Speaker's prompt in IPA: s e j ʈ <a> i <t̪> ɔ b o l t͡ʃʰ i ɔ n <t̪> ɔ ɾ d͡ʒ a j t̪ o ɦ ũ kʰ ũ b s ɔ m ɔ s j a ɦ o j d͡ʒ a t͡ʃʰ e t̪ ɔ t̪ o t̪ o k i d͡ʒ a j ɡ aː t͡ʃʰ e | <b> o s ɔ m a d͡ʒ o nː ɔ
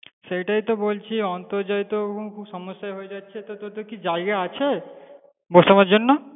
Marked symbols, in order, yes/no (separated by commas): yes, yes, yes, yes